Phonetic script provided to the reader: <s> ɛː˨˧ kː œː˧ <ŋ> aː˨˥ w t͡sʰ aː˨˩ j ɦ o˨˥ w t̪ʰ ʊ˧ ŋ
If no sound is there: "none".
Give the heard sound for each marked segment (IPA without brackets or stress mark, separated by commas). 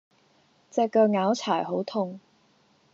t͡s, ŋ